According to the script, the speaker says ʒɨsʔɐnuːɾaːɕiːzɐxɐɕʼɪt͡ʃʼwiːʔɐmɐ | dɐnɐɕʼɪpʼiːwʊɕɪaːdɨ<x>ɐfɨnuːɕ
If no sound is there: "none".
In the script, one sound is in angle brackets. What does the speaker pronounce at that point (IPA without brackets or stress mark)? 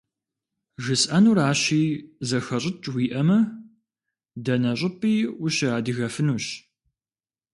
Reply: ɣ